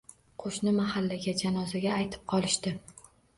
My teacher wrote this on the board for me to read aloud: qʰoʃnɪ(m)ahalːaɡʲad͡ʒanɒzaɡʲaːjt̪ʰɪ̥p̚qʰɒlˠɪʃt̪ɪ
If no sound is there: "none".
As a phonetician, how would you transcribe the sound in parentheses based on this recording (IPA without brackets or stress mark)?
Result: m